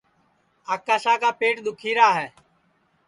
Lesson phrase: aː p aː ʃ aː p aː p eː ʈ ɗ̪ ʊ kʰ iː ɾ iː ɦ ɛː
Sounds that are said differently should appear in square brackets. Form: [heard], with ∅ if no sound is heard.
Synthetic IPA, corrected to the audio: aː [k] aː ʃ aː [k] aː p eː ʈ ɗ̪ ʊ kʰ iː ɾ [aː] ɦ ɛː